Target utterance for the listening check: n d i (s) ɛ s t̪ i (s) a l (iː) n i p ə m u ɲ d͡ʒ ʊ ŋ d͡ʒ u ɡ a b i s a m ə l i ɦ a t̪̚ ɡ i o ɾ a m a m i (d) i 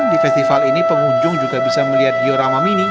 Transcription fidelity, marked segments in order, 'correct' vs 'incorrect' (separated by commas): incorrect, incorrect, incorrect, incorrect